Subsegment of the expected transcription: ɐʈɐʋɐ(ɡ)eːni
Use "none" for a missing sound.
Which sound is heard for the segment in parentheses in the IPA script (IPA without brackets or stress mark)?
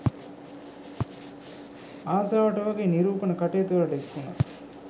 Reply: ɡ